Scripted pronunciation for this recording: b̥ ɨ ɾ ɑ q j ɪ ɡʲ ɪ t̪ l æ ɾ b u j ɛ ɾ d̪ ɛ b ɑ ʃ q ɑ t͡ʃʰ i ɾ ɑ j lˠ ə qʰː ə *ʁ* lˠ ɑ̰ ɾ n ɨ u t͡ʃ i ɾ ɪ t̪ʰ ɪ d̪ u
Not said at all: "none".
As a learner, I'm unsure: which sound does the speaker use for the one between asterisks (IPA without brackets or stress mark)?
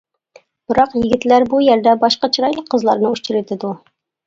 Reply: z